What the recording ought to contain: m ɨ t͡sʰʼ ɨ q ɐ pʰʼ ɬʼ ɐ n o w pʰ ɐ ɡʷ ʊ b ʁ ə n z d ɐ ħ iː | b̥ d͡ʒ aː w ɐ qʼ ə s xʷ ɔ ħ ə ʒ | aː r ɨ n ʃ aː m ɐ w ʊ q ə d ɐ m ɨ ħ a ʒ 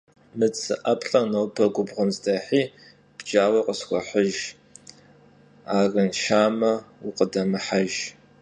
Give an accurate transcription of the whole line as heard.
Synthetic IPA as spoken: m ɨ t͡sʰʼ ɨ ʔ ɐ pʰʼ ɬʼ ɐ n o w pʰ ɐ ɡʷ ʊ b ʁ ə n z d ɐ ħ iː | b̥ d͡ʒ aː w ɐ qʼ ə s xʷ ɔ ħ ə ʒ | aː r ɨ n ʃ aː m ɐ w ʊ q ə d ɐ m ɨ ħ a ʒ